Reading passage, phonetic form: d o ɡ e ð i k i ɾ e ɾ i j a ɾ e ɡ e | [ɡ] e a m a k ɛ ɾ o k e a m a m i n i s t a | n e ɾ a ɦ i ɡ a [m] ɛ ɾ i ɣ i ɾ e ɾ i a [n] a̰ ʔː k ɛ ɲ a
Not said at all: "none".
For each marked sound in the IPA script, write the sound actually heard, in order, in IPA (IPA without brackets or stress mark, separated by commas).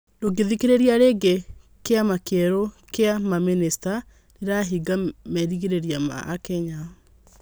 k, m, m